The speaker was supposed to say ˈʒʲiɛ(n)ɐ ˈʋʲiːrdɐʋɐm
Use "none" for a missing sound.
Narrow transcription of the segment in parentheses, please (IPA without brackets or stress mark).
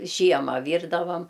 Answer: m